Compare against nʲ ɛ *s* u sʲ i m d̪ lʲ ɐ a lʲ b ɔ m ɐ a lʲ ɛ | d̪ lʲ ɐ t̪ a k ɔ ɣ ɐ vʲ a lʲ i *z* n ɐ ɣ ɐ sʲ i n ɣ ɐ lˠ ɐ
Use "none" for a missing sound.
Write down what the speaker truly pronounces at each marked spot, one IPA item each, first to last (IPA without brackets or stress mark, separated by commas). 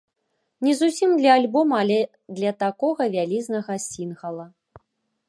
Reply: z, z